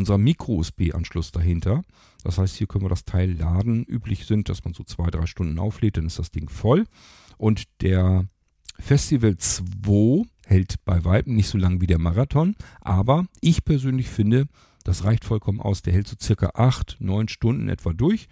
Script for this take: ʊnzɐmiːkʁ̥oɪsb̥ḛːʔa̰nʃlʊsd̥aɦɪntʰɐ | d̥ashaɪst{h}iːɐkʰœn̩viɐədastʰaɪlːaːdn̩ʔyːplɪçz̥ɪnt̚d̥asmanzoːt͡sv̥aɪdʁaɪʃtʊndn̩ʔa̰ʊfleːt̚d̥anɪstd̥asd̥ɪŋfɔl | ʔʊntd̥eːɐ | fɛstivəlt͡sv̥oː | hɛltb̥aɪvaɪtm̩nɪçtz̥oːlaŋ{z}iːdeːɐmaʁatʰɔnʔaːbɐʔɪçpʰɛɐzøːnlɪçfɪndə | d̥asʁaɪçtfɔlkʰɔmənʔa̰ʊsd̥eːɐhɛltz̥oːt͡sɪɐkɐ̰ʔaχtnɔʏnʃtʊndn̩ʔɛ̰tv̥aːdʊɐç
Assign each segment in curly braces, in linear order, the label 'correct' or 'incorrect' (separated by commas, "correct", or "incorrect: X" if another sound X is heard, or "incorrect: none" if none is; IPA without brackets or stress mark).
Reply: correct, incorrect: v